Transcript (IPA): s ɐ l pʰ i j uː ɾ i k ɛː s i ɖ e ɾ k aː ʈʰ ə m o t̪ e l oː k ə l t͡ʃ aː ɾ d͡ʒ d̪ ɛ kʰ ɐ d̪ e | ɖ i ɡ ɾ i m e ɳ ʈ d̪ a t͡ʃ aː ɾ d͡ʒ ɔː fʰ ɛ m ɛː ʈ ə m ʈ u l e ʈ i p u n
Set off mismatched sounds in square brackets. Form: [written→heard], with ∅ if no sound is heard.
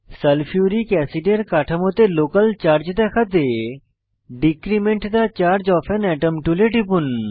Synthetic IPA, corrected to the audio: s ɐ l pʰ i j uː ɾ i k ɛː s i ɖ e ɾ k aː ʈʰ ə m o t̪ e l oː k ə l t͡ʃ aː ɾ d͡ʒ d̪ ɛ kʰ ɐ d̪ e | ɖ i [ɡ→k] ɾ i m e ɳ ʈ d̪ a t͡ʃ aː ɾ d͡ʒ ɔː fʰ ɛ [m→n] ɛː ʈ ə m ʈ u l e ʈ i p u n